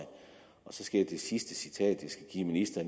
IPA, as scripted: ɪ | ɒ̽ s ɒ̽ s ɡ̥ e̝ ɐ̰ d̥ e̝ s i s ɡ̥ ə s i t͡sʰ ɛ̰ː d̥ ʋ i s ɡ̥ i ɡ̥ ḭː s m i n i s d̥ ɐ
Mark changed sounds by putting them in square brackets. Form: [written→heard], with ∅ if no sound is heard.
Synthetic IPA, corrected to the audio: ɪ | ɒ̽ s ɒ̽ s ɡ̥ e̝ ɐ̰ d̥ e̝ s i s [ɡ̥→d̥] ə s i t͡sʰ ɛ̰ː d̥ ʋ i s ɡ̥ [i→æ] ɡ̥ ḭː [s→∅] m i n i s d̥ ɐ